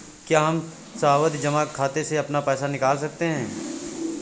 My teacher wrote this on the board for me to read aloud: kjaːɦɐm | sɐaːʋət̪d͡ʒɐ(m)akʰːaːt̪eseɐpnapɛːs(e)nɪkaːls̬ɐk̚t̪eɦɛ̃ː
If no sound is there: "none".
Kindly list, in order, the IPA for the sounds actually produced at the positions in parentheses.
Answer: m, a

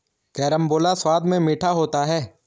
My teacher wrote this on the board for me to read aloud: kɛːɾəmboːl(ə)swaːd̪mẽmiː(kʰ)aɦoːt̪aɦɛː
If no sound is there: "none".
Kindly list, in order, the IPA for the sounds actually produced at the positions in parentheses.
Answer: a, ʈʰ

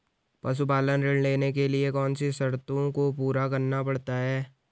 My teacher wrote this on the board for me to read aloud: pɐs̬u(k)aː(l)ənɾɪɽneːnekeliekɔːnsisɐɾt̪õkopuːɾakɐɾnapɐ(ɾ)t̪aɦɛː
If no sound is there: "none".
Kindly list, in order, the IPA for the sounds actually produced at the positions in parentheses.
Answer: p, l, ɽ

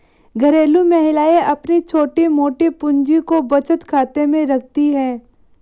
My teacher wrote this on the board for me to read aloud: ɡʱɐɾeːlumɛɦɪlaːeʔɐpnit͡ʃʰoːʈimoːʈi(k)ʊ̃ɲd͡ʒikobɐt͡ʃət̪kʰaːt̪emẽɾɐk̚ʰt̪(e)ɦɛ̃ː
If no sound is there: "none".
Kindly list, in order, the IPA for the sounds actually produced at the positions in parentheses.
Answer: p, i

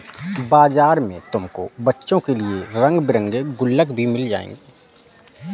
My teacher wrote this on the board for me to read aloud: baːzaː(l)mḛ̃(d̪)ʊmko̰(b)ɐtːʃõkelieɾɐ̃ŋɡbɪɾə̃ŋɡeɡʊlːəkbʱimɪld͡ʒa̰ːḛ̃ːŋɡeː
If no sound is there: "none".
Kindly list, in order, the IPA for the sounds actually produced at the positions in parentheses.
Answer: ɾ, t̪, b

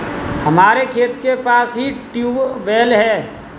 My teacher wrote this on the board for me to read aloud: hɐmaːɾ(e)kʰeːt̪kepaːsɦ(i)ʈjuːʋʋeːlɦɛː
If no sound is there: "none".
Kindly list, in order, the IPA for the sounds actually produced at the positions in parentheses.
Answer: e, i

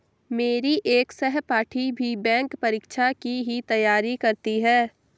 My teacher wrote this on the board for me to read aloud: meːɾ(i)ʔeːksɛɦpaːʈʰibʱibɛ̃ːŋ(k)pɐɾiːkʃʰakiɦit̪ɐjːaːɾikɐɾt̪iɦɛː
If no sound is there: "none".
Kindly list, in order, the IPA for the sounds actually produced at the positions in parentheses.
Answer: i, k

